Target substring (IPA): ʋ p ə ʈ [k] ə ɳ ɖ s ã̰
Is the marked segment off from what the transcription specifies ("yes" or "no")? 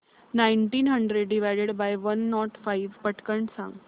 no